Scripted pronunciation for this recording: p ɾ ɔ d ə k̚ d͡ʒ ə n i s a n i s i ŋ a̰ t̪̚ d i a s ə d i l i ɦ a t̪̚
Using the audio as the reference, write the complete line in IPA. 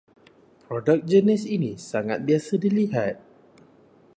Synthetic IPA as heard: p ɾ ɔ d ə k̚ d͡ʒ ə n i s i n i s a ŋ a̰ t̪̚ b i a s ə d i l i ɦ a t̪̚